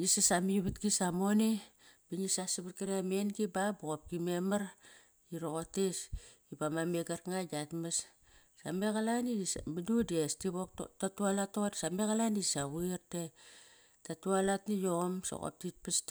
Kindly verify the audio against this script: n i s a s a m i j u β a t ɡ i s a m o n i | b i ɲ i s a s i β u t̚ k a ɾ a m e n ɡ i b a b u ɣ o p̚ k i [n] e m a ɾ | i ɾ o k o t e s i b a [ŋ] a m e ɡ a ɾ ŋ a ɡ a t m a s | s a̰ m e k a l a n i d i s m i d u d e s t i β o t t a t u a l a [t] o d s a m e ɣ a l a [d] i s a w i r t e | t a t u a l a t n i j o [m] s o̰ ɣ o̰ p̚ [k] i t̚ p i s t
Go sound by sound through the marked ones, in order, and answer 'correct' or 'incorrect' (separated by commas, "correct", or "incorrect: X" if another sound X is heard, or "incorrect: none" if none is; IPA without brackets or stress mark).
incorrect: m, incorrect: m, correct, incorrect: n, correct, incorrect: t